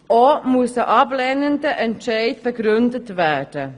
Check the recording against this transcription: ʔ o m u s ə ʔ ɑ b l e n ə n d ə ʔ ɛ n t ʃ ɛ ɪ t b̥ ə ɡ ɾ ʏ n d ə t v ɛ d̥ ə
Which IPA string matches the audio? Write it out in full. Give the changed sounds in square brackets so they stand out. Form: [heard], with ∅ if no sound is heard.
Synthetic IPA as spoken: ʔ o m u s ə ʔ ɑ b l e n ə n d ə ʔ ɛ n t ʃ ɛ ɪ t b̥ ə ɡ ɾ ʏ n d ə t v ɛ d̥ ə